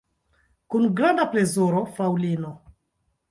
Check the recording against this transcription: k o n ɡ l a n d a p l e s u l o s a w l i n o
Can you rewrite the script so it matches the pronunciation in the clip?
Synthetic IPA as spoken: k u n ɡ ɾ a n d a p l e z u ɾ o f a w l i n o